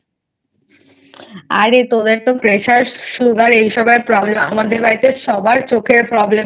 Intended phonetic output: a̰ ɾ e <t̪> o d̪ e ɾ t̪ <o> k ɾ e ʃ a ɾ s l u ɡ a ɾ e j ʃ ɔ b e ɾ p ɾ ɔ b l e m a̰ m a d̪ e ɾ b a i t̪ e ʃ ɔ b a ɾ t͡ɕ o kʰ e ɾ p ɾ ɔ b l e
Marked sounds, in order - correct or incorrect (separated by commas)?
correct, correct